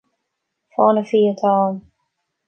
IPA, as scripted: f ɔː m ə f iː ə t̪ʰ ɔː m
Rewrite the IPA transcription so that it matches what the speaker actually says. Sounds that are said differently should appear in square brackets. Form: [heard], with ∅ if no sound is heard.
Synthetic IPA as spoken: f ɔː [n] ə f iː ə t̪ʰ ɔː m